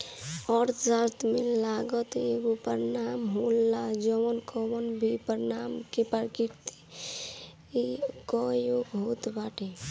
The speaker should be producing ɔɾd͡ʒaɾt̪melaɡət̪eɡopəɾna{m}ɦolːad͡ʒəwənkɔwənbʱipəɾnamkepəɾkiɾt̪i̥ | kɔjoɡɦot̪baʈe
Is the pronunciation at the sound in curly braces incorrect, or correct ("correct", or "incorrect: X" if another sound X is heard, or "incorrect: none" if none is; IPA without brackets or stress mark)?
correct